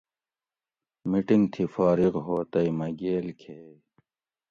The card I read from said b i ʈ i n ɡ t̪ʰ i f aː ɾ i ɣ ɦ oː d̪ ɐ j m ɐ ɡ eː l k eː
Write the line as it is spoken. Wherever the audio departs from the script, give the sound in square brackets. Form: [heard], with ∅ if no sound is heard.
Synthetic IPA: [m] i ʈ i [ŋ] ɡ t̪ʰ i f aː ɾ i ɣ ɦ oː [t̪] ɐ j m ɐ ɡ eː l [kʰ] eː